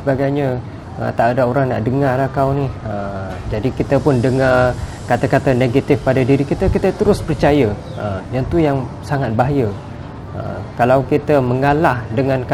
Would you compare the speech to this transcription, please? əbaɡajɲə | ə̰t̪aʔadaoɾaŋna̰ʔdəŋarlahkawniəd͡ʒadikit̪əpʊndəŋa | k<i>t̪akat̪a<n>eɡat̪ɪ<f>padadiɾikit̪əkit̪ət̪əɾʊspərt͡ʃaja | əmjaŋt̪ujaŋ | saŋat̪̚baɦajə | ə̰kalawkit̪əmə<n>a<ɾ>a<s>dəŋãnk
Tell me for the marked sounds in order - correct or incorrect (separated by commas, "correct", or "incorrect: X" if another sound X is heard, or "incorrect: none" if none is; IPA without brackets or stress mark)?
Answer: incorrect: a, correct, correct, incorrect: ŋ, incorrect: l, incorrect: h